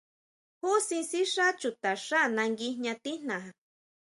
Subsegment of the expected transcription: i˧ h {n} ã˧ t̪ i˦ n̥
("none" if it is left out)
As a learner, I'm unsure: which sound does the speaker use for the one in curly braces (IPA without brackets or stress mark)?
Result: ɲ